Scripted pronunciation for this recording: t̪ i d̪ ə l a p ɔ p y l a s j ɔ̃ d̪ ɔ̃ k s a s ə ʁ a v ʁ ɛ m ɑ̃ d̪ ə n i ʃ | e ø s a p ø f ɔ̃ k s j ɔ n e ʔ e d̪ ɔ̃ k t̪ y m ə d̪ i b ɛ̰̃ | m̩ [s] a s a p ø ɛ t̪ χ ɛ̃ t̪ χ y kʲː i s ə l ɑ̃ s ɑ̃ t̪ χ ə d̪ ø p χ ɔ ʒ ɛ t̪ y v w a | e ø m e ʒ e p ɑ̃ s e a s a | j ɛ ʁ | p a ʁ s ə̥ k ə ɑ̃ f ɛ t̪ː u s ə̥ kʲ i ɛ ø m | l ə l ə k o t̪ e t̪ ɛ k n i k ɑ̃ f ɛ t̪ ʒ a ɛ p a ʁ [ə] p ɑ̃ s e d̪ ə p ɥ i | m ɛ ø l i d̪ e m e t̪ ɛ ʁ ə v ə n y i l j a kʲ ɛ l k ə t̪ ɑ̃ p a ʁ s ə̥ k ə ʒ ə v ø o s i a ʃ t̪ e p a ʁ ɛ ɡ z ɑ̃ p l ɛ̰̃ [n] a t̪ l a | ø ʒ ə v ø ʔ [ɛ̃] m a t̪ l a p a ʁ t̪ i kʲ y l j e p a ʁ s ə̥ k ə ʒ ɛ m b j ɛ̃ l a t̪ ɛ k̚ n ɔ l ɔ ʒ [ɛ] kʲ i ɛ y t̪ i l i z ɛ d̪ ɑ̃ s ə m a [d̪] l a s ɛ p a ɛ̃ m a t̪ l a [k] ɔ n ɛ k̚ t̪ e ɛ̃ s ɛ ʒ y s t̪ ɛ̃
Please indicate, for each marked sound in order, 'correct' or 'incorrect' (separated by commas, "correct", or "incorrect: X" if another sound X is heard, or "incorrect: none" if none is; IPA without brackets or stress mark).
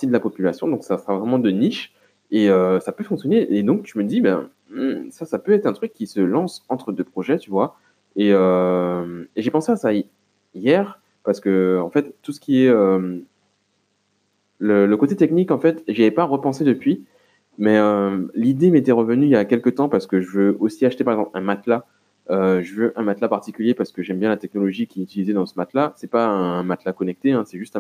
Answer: correct, correct, incorrect: m, correct, incorrect: i, incorrect: t̪, correct